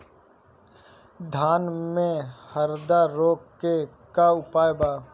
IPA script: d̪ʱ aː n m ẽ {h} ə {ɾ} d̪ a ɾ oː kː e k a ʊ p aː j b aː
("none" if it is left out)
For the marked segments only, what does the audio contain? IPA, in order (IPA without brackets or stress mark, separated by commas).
h, ɾ